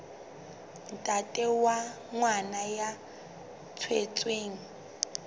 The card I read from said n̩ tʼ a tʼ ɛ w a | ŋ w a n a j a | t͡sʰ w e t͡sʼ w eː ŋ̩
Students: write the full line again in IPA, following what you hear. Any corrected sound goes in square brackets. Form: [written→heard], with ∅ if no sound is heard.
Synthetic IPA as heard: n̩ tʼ a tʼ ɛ w a | ŋ w a n a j a | t͡sʰ w e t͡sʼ w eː ŋ̩